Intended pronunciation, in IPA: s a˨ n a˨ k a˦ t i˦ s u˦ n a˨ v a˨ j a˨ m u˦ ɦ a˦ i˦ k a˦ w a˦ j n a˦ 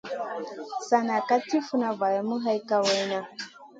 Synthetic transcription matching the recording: s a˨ n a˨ k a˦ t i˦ f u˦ n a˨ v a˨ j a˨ m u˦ ɦ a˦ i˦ k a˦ w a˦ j n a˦